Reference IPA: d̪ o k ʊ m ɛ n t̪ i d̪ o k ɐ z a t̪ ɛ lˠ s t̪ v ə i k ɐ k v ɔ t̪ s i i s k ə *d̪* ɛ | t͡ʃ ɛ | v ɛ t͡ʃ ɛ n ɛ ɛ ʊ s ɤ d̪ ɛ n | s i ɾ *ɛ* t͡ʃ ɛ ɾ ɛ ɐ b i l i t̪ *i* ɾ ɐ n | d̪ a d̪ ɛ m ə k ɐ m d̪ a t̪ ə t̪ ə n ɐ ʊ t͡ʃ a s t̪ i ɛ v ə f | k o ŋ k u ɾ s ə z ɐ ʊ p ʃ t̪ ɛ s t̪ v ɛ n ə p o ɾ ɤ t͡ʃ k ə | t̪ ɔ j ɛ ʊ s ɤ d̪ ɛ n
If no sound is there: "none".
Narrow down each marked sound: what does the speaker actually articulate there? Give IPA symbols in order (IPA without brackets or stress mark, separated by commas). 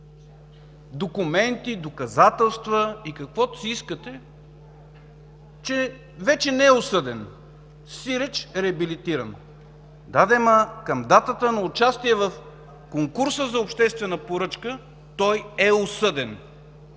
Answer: t̪, ɛ, i